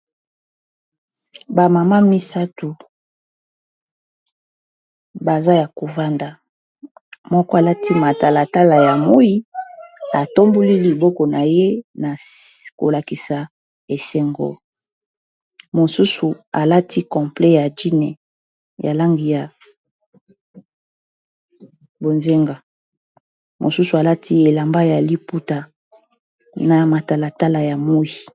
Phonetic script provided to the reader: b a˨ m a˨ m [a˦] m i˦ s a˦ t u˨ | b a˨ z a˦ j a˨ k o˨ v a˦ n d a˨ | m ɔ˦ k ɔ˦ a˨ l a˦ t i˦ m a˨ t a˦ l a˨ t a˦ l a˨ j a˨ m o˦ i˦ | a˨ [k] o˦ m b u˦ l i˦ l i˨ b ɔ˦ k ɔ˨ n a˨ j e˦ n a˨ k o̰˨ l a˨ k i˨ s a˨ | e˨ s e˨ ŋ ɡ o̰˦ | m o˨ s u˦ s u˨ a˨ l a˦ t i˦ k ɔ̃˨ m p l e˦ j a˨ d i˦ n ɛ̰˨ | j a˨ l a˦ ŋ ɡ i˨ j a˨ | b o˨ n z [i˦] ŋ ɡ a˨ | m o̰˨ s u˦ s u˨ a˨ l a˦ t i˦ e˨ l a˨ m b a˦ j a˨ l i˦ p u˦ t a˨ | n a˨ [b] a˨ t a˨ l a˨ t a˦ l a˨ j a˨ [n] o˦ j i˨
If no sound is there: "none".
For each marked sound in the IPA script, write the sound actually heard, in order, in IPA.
a˦, t, e˦, m, m

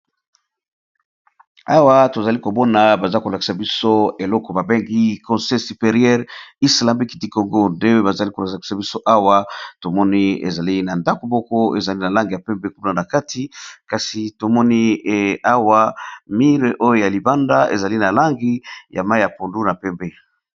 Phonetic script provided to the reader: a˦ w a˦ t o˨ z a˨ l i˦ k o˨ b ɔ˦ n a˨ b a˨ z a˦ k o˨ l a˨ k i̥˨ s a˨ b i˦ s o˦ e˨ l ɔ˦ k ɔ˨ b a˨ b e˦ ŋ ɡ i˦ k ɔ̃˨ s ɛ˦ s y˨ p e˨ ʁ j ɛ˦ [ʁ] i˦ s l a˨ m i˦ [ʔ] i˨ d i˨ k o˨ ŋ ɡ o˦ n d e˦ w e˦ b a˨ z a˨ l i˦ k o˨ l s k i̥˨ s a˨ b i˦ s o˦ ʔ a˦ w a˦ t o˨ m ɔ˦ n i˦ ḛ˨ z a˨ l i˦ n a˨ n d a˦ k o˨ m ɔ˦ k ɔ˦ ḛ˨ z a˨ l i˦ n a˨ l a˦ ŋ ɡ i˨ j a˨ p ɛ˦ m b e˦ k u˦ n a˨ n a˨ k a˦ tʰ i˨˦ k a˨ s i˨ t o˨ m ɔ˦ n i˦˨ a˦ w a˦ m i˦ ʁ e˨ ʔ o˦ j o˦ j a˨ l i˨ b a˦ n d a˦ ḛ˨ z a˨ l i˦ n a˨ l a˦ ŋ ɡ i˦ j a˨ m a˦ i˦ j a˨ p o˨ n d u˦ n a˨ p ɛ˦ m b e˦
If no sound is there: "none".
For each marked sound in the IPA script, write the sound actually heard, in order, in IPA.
ʁ, k

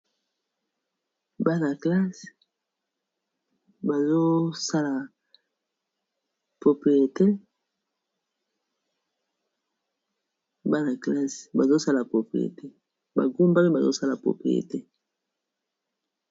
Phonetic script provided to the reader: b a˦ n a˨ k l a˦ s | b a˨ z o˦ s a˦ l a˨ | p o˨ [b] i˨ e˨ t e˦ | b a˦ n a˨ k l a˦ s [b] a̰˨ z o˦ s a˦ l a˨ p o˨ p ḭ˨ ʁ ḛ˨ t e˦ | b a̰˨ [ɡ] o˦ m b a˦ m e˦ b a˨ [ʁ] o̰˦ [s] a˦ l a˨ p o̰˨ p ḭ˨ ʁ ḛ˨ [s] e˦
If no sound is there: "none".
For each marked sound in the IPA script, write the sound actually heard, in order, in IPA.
p, b, ɡ, z, s, t

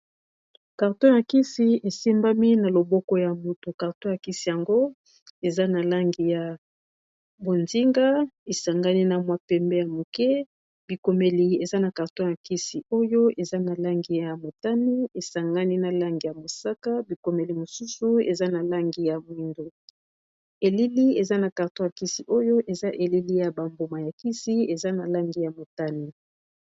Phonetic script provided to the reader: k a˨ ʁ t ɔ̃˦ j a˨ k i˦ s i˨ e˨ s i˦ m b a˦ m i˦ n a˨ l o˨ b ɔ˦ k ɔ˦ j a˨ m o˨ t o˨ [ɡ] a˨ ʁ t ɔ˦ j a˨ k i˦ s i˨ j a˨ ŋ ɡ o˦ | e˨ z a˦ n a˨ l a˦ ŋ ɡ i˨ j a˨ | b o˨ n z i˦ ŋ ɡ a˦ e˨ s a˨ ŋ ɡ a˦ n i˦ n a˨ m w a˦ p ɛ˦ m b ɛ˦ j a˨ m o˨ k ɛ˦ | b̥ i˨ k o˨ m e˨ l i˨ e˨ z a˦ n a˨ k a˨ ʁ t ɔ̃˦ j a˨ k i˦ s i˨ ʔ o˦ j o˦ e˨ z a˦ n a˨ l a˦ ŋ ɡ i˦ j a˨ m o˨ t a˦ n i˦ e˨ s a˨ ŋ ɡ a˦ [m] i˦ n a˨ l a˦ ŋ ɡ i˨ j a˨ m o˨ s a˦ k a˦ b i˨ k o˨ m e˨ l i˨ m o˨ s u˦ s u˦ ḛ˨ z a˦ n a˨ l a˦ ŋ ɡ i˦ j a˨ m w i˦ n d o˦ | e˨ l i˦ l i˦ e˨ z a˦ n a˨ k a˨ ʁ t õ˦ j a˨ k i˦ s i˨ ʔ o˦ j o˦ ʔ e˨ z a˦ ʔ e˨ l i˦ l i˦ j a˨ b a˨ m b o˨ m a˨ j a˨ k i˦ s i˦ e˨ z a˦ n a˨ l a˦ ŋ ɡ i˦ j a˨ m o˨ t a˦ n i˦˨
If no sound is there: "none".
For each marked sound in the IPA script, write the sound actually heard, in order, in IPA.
k, n

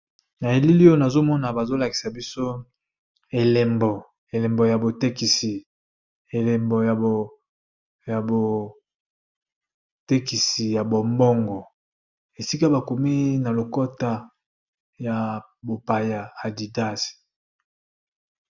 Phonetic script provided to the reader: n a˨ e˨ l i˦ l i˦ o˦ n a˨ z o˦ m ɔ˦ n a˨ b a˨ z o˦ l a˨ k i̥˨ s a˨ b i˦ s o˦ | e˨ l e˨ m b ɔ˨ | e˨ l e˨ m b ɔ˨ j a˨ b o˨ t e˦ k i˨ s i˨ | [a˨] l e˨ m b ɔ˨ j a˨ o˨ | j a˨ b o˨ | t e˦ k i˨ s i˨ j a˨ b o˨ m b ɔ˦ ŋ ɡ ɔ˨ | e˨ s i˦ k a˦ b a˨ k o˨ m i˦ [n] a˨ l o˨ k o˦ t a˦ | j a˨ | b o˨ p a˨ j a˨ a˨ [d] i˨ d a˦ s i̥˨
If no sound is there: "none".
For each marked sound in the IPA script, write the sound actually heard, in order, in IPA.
e˨, n, d

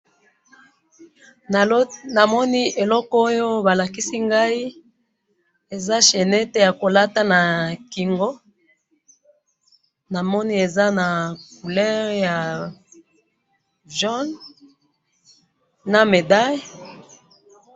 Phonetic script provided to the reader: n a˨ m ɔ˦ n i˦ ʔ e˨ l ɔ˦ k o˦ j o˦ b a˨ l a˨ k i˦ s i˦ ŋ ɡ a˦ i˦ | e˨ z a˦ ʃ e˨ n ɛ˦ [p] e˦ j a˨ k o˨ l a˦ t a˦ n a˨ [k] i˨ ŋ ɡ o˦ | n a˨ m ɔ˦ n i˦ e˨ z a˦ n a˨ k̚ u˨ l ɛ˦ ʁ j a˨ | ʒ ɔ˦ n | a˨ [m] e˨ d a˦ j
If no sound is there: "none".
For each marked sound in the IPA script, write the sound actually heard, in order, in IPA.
t, k, m

